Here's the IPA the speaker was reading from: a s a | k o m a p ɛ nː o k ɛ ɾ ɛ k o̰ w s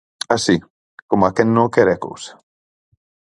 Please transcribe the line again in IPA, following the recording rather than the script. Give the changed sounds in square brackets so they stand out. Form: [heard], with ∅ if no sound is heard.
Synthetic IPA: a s [i] | k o m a [k] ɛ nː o k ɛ ɾ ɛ k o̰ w s